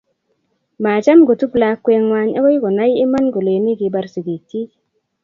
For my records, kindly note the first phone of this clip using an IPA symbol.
m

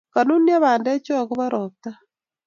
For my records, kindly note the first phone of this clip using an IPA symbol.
k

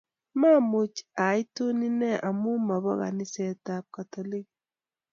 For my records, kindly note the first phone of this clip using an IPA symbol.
m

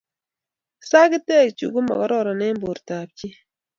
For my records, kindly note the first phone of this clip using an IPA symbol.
s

